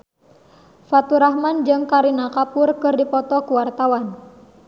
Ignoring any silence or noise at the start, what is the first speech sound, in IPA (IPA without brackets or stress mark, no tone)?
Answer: f